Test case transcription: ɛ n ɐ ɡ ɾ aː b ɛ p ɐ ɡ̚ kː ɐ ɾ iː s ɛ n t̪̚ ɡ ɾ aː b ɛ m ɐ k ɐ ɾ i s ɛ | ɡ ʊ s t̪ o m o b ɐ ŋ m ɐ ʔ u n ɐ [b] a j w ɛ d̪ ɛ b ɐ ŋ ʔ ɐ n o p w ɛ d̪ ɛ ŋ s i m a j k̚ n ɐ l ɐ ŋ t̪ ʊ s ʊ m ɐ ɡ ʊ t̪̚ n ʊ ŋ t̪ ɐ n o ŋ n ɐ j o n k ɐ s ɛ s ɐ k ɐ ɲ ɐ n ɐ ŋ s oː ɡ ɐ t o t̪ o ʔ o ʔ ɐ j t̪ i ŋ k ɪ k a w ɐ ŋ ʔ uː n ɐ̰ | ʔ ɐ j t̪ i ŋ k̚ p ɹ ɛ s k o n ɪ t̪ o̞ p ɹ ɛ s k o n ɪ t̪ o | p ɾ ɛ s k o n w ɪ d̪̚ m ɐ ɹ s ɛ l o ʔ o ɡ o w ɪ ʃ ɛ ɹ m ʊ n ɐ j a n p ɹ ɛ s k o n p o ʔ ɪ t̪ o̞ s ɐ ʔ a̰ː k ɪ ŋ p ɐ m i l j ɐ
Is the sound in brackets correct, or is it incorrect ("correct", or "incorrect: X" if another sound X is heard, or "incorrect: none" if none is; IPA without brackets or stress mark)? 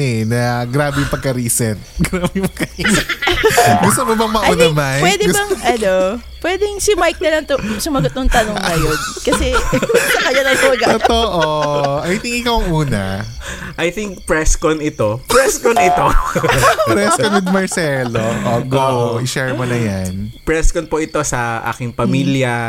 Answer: incorrect: m